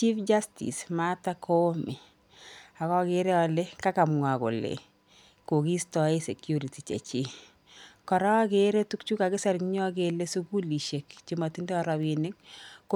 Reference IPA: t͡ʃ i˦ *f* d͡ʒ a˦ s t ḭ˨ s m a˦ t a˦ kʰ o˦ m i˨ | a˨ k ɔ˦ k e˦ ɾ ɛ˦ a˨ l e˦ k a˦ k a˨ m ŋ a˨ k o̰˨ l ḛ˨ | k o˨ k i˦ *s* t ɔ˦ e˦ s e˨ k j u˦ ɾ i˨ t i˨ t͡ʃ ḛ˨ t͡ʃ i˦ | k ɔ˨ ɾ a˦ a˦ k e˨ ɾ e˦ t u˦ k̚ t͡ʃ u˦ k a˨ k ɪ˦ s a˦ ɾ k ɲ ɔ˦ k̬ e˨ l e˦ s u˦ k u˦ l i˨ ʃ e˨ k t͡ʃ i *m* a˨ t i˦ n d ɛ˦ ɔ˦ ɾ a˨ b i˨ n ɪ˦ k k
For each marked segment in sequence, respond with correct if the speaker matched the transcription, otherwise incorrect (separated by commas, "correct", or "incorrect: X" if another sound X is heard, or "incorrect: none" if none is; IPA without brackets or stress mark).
correct, correct, correct